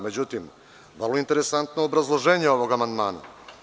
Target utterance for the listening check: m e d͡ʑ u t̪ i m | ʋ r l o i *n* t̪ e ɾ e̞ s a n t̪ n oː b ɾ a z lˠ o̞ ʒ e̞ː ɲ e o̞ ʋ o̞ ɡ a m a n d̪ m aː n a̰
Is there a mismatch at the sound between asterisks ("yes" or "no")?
no